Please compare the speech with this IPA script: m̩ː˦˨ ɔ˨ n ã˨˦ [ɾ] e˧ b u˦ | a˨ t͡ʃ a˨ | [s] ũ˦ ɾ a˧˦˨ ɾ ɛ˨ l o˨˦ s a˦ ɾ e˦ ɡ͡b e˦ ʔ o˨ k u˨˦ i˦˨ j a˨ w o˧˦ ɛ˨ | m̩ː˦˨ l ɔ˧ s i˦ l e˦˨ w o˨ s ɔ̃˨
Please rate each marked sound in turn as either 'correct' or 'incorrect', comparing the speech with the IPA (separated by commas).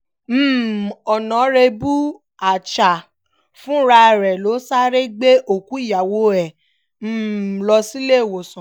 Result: correct, incorrect